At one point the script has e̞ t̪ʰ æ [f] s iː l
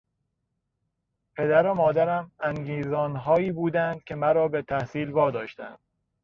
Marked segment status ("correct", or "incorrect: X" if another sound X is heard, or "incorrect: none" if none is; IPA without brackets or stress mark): incorrect: h